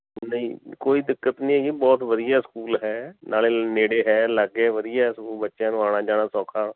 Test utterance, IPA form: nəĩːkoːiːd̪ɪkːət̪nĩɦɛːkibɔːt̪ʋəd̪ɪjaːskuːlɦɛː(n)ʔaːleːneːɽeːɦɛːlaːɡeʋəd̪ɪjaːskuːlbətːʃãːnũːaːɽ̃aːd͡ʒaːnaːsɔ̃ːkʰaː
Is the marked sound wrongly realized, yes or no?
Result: no